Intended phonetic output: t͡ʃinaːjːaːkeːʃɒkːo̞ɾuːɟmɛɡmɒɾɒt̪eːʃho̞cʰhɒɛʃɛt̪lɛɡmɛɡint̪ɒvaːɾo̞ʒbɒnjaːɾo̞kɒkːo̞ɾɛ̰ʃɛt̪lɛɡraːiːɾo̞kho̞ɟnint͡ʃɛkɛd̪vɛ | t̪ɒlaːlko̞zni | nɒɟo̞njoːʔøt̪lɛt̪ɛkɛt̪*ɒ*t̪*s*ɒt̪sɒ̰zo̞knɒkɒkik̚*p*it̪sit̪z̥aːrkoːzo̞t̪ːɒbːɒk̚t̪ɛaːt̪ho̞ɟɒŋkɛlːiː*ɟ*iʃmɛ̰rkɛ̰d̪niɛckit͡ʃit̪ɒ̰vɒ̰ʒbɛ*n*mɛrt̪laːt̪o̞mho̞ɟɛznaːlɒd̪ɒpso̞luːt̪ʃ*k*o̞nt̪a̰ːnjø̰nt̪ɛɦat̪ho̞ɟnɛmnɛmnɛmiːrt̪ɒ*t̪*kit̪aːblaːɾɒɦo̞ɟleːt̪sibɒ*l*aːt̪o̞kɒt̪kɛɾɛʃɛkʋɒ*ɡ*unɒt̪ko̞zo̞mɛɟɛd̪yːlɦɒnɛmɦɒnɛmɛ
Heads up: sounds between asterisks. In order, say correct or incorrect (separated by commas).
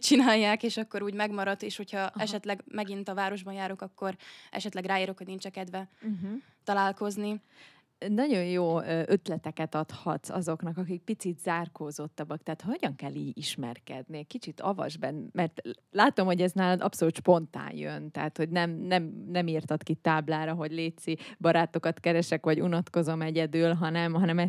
correct, incorrect, correct, correct, correct, incorrect, correct, incorrect, incorrect